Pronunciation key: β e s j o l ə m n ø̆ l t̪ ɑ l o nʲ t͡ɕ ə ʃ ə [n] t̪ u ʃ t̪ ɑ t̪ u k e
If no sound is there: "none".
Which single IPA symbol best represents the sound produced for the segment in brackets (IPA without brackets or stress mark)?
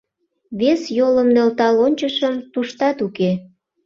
m